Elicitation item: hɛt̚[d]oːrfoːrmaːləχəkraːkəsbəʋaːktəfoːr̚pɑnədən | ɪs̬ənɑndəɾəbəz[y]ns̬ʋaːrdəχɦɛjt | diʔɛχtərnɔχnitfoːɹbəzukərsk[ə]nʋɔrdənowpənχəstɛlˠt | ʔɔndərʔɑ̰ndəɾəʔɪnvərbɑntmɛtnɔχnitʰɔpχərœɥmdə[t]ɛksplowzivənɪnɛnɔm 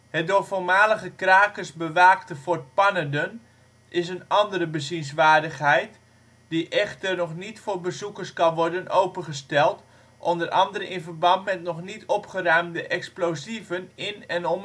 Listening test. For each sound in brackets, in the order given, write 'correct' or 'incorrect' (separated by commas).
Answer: correct, incorrect, incorrect, incorrect